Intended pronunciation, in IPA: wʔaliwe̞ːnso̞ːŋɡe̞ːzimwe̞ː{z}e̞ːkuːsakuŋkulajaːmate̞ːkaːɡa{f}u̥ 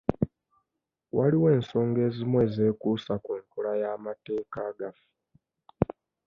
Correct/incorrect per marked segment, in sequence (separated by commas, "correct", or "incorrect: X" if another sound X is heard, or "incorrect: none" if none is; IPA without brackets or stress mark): correct, correct